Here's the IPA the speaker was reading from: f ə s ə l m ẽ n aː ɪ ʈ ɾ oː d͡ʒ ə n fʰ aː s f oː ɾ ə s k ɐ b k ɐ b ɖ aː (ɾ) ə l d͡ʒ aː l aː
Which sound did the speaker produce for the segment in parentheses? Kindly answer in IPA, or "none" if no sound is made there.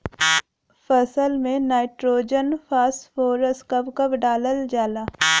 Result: l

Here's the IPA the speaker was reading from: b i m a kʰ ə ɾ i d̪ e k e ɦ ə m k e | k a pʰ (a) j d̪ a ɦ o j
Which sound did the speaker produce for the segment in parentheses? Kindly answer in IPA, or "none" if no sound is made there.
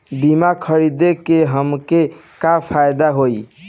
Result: a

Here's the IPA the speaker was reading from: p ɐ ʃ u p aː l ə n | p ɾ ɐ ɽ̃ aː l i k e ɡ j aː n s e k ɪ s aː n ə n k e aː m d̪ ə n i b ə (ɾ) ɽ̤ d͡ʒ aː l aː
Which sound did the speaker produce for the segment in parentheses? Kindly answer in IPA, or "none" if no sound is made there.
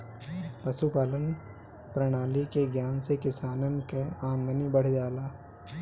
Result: none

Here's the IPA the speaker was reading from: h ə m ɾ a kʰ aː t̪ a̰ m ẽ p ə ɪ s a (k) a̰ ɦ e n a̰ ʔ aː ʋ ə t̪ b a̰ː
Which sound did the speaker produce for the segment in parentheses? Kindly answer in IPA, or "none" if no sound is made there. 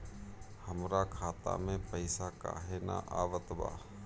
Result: k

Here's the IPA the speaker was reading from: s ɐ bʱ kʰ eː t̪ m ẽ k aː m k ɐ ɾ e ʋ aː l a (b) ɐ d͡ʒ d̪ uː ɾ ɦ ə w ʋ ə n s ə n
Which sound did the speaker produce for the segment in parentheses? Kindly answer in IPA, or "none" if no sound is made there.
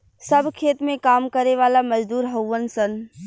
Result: m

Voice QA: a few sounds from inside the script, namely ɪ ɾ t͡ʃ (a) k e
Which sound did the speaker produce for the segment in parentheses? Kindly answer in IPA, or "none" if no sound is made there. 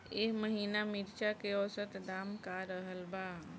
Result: a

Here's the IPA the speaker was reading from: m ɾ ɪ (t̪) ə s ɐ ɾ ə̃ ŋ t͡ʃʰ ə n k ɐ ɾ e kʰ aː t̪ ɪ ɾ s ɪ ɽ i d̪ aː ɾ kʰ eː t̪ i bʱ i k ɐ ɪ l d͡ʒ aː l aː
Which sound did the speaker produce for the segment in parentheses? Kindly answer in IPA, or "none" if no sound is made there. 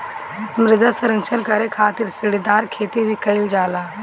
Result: d̪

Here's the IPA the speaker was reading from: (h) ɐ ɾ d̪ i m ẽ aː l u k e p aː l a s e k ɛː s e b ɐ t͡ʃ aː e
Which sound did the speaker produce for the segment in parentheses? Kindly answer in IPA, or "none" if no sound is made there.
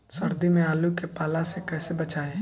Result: s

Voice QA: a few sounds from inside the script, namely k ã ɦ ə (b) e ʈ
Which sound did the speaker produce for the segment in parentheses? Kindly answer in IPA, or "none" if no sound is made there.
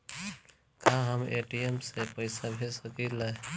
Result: m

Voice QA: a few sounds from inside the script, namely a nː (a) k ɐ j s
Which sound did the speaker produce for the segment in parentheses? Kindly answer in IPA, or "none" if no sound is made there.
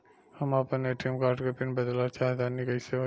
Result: i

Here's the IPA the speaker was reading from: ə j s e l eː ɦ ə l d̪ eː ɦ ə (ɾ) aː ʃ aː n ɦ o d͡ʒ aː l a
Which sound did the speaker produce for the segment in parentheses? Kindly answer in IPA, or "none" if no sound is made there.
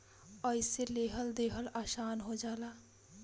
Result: l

